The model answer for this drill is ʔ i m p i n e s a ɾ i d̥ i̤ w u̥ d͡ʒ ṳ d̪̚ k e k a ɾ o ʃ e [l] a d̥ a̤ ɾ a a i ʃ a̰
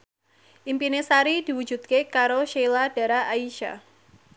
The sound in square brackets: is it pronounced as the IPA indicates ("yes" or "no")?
yes